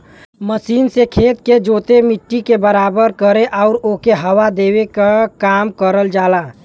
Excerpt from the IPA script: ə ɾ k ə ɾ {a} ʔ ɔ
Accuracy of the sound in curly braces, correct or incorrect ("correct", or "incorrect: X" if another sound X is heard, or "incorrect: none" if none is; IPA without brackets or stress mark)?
incorrect: e